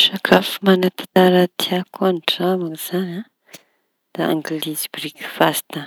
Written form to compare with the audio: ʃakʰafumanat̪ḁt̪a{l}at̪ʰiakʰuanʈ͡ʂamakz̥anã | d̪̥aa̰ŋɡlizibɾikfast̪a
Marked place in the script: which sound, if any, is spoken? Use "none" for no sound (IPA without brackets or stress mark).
ɾ